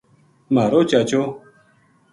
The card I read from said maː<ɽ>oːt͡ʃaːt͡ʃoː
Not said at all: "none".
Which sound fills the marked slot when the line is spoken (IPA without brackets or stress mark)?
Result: ɾ